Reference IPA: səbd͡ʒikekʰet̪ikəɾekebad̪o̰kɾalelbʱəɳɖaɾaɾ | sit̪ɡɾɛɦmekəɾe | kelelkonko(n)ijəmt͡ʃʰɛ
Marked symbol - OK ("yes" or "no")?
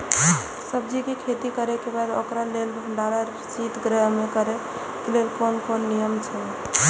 no